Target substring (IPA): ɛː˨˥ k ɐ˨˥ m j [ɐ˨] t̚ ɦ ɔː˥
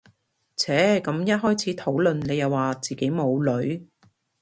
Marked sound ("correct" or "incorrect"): incorrect